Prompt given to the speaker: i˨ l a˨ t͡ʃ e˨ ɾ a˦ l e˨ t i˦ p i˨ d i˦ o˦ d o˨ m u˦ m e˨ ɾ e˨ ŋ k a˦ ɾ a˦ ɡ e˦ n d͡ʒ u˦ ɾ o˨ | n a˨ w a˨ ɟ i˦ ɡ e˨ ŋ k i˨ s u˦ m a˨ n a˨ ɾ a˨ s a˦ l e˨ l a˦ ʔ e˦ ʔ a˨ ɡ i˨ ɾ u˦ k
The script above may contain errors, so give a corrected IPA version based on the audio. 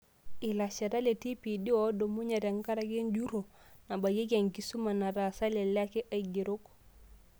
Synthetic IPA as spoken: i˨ l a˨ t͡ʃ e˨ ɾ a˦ l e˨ t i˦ p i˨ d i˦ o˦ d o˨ m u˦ ɲ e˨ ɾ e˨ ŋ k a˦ ɾ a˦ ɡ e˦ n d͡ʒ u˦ ɾ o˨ | n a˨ b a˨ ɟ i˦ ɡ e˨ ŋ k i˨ s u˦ m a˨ n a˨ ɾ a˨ s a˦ l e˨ l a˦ k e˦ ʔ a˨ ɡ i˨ ɾ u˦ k